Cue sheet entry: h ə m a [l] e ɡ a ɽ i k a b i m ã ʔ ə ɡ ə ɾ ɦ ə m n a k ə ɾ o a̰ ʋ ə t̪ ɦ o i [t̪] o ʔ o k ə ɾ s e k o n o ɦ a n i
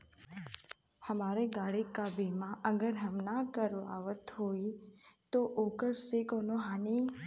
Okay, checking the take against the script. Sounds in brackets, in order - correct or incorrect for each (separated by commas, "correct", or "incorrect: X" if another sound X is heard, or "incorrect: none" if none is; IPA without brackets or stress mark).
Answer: incorrect: ɾ, correct